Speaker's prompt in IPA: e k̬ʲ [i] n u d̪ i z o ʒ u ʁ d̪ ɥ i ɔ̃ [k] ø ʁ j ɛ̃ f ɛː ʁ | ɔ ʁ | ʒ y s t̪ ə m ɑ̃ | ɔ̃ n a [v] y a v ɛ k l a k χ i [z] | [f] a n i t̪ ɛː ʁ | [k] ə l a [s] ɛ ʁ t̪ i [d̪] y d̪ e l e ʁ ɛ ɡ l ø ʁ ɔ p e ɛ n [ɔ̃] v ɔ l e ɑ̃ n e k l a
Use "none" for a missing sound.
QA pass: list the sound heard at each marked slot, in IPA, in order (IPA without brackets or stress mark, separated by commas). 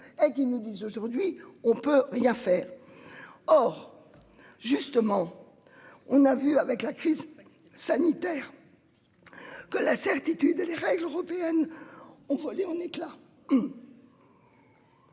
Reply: i, p, v, z, s, k, s, t̪, ɔ̃